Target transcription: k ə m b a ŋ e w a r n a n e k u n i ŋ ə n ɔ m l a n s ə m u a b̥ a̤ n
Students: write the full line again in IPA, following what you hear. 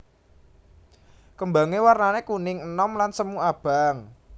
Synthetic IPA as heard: k ə m b a ŋ e w a r n a n e k u n ɪ ŋ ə n ɔ m l a n s ə m u a b̥ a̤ ŋ